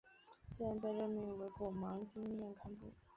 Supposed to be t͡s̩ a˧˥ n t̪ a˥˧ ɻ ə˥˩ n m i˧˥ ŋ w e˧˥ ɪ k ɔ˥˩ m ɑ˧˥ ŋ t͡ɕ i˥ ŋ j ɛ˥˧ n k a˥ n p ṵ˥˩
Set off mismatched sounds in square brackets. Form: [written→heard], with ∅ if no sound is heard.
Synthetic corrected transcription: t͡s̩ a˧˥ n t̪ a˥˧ ɻ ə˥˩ n m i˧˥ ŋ w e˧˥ ɪ k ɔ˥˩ m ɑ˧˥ ŋ t͡ɕ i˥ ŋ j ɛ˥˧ n [k→kʰ] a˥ n p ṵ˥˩